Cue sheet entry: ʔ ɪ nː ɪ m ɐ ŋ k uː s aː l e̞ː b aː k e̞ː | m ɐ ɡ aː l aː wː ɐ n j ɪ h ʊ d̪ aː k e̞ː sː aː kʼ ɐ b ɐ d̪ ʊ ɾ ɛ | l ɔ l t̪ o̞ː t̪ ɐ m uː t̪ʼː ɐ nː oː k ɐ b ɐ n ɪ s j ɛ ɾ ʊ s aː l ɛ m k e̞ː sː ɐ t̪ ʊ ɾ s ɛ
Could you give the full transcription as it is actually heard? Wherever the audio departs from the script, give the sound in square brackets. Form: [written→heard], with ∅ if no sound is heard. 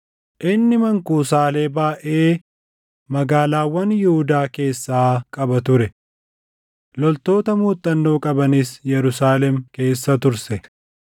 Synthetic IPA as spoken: ʔ ɪ nː ɪ m ɐ ŋ k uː s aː l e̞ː b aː [k→ʔ] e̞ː | m ɐ ɡ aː l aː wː ɐ n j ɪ h ʊ d̪ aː k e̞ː sː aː kʼ ɐ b ɐ [d̪→t̪] ʊ ɾ ɛ | l ɔ l t̪ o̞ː t̪ ɐ m uː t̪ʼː ɐ nː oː [k→kʼ] ɐ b ɐ n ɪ s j ɛ ɾ ʊ s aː l ɛ m k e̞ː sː ɐ t̪ ʊ ɾ s ɛ